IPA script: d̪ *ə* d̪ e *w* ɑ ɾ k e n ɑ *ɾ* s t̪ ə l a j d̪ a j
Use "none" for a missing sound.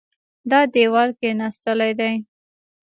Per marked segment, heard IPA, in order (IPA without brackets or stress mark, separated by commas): ɑ, w, none